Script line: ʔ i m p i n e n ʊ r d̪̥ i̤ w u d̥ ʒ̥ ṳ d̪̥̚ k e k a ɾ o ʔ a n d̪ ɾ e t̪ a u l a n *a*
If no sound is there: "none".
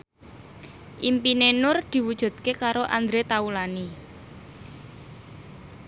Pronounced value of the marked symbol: i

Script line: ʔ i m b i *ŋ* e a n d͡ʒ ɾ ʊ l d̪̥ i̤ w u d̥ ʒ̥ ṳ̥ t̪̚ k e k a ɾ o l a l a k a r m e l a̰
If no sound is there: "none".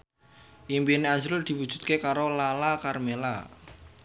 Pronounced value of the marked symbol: n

